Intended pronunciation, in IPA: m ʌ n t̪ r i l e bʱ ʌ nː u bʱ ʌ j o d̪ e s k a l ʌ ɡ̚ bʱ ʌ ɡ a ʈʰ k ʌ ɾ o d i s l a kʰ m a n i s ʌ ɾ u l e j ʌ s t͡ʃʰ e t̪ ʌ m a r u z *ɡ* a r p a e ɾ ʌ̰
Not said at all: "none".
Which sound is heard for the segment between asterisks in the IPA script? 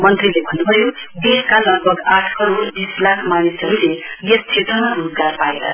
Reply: ɡ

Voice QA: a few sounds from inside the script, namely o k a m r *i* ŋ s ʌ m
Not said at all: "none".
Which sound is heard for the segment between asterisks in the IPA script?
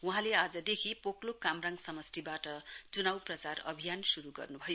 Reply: a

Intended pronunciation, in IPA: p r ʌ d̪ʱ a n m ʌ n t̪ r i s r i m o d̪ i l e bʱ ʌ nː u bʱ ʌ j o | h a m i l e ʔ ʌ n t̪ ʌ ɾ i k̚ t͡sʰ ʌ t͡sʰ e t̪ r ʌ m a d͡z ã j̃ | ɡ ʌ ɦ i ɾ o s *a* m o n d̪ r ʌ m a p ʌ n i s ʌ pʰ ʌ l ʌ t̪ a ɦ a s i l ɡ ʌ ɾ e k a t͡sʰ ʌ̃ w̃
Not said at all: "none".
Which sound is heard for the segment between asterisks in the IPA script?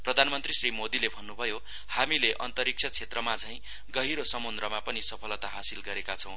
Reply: ʌ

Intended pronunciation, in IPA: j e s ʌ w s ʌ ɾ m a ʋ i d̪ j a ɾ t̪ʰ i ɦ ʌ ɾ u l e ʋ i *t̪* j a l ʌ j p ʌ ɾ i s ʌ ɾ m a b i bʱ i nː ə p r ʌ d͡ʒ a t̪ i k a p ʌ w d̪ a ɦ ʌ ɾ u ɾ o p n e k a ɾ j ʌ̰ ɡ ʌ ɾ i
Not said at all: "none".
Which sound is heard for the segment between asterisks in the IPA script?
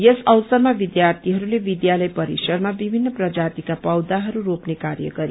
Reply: d̪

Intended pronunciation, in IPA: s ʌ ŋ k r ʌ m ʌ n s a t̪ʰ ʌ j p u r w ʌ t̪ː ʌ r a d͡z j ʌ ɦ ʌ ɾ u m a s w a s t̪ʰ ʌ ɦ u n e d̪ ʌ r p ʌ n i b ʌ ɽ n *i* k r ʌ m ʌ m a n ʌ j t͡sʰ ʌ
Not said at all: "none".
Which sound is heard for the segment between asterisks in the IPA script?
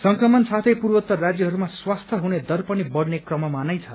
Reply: e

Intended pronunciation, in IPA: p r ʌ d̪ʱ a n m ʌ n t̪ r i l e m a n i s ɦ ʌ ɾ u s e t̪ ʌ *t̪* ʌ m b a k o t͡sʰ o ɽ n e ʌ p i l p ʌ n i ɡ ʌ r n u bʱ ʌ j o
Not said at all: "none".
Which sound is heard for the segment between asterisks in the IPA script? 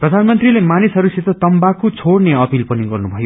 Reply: t̪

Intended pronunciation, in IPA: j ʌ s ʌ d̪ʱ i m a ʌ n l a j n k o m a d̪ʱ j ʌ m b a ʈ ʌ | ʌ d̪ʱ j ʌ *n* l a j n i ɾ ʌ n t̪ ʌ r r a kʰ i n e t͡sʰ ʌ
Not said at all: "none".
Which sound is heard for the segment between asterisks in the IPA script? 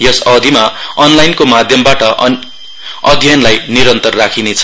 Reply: n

